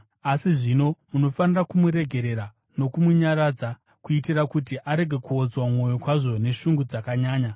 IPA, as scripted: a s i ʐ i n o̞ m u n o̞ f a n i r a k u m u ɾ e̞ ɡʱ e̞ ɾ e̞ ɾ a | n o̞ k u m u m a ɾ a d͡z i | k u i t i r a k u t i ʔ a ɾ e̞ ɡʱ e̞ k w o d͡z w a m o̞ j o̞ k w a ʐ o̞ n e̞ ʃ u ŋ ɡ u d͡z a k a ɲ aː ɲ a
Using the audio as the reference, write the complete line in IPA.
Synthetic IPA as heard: a s i ʐ i n o̞ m u n o̞ f a n i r a k u m u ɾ e̞ ɡʱ e̞ ɾ e̞ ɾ a | n o̞ k u m u ɲ a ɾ a d͡z a | k u i t i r a k u t i ʔ a ɾ e̞ ɡʱ e̞ k u o d͡z w a m o̞ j o̞ k w a ʐ o̞ n e̞ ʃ u ŋ ɡ u d͡z a k a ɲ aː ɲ a